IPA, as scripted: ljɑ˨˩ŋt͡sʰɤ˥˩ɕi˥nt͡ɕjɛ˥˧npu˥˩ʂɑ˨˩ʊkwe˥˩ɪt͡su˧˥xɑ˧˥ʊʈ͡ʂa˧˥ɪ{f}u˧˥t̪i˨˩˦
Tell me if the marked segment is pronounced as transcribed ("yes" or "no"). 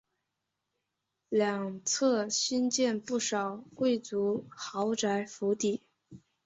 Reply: yes